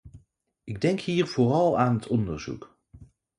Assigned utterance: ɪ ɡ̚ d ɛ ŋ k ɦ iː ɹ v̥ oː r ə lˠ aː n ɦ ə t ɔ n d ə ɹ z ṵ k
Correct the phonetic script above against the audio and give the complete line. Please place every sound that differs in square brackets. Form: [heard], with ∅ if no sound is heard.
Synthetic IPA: ɪ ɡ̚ d ɛ ŋ k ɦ iː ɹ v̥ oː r [ɑ] lˠ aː n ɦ ə t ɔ n d ə ɹ z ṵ k